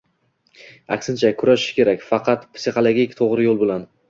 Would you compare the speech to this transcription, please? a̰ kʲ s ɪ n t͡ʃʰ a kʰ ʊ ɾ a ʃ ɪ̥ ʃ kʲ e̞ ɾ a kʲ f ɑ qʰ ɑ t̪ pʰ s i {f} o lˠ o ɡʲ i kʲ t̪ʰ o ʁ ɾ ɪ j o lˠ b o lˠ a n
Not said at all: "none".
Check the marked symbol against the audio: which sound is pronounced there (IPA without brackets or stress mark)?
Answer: χ